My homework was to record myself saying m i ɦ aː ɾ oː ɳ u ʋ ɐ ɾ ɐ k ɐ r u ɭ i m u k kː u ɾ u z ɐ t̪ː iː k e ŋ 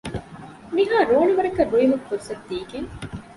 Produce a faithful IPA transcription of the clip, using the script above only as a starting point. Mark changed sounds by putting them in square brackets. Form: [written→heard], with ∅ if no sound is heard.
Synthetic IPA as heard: m i ɦ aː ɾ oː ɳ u ʋ ɐ ɾ ɐ k ɐ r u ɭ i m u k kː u ɾ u [z→s] ɐ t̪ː iː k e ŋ